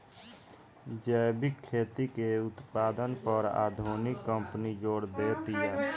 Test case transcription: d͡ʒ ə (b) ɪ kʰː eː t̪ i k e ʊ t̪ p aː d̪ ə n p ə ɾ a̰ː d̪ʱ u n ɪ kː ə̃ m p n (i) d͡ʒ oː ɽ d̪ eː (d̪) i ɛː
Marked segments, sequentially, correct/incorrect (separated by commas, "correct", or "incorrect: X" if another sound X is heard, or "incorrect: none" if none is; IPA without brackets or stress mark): correct, correct, incorrect: t̪